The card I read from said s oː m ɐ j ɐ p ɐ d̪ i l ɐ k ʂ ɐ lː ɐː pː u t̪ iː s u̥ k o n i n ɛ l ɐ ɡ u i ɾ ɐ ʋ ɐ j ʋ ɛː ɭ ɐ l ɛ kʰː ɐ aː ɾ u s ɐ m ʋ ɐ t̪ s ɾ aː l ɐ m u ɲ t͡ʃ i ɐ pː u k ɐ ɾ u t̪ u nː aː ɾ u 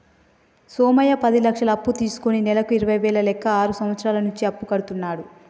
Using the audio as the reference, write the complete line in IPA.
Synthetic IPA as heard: s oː m ɐ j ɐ p ɐ d̪ i l ɐ k ʂ ɐ l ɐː pː u t̪ iː s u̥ k o n i n ɛ l ɐ k u i ɾ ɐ ʋ ɐ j ʋ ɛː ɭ ɐ l ɛ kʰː ɐ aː ɾ u s ɐ m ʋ ɐ t̪ s ɾ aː l ɐ n u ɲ t͡ʃ i ɐ pː u k ɐ ɽ u t̪ u nː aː ɽ u